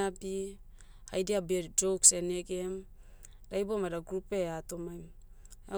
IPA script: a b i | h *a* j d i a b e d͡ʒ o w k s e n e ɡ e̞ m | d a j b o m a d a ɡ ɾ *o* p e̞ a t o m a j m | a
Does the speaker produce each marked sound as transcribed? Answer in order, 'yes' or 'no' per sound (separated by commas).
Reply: yes, no